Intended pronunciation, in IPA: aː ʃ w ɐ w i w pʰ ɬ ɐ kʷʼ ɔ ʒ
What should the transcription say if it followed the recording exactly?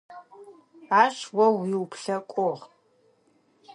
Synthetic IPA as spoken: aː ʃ w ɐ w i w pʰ ɬ ɐ kʷʼ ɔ ʁ